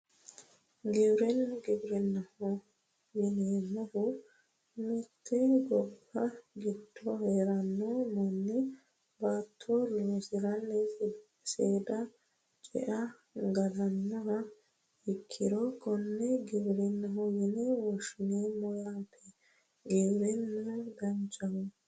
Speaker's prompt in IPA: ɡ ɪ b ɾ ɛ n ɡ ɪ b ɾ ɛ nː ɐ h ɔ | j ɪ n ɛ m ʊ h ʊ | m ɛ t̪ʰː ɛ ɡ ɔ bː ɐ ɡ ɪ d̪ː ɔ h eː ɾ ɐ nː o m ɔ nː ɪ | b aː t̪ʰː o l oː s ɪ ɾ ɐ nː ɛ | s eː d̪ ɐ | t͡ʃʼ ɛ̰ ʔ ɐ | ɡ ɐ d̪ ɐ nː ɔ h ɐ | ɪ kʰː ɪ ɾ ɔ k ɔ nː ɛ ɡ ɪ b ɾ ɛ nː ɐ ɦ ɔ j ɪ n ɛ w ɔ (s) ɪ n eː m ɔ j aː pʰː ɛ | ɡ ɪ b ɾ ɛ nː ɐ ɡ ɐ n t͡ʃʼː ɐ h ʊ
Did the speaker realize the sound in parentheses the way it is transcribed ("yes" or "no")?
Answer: no